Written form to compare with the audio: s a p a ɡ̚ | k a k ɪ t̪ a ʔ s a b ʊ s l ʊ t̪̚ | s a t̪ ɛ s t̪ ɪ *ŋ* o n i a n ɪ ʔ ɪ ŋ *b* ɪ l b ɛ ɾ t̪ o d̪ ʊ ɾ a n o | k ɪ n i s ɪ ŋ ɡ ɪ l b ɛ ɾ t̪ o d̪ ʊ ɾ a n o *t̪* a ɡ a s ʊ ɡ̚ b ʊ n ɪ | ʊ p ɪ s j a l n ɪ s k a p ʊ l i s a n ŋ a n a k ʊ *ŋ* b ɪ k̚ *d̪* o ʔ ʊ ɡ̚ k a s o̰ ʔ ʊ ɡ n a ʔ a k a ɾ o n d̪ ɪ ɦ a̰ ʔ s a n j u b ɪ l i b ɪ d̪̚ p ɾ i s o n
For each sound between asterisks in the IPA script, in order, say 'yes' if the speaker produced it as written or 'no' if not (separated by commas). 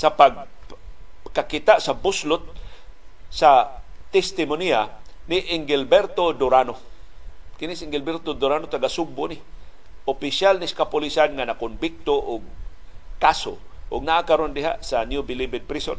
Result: no, no, yes, no, no